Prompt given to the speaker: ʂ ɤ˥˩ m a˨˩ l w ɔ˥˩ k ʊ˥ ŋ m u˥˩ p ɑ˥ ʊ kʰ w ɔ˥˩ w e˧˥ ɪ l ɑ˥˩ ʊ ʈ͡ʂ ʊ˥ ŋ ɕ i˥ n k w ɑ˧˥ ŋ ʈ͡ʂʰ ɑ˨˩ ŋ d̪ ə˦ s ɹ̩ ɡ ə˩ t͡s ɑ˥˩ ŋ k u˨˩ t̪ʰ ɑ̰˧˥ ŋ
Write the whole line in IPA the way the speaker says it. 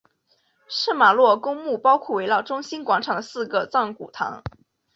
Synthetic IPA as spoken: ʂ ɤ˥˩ m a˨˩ l w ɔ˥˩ k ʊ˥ ŋ m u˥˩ p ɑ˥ ʊ kʰ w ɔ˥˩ w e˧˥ ɪ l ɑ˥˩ ʊ ʈ͡ʂ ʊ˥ ŋ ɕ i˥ n k w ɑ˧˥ ŋ ʈ͡ʂʰ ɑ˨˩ ŋ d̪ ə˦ s ɹ̩ ɡ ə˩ t͡s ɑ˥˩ ŋ k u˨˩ t̪ʰ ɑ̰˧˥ ŋ